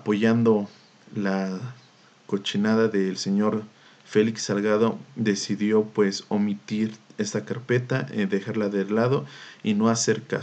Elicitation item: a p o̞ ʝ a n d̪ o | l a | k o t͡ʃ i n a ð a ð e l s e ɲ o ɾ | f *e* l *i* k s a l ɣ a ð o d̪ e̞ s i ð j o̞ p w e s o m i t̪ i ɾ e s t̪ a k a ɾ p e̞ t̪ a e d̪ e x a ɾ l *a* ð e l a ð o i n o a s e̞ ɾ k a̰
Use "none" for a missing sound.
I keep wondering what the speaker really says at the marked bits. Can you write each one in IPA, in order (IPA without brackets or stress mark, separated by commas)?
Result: e, i, a